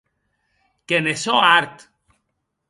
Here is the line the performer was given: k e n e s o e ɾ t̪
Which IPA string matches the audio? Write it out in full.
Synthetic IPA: k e n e s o a ɾ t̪